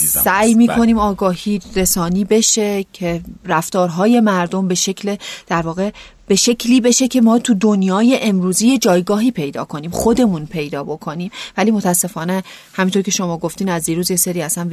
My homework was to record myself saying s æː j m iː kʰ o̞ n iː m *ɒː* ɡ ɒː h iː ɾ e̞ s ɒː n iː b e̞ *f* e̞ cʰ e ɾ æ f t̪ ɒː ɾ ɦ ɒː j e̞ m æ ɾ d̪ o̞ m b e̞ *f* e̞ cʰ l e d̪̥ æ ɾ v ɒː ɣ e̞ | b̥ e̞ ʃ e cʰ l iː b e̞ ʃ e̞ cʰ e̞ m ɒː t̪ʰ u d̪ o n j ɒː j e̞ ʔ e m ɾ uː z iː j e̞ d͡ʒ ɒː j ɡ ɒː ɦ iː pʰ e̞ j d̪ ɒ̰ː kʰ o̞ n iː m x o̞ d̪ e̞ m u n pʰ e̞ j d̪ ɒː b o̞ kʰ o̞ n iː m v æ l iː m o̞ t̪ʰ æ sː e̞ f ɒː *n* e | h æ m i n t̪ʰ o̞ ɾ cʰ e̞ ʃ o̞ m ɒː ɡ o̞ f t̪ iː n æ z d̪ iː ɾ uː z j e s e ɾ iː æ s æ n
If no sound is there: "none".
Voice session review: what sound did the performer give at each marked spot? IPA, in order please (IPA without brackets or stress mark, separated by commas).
ɒː, ʃ, ʃ, n